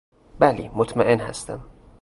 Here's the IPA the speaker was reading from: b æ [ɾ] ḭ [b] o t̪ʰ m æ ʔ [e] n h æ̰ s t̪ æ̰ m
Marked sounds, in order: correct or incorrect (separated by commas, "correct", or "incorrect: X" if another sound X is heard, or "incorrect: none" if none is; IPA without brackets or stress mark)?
incorrect: l, incorrect: m, correct